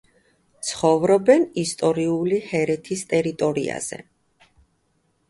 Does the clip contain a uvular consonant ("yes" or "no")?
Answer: yes